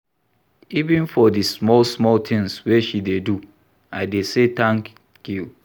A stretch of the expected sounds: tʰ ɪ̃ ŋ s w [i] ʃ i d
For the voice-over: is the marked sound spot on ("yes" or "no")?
no